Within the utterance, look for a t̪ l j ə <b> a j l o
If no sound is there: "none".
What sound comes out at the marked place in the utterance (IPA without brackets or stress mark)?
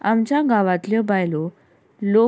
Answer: b